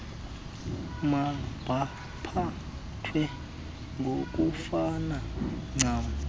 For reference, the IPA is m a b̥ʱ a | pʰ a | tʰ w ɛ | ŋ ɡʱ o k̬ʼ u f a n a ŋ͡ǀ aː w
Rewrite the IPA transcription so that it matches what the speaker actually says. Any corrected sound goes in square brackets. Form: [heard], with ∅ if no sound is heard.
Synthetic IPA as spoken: m a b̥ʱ a | pʰ a | tʰ w ɛ | ŋ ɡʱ o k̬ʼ u f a n a ŋ͡ǀ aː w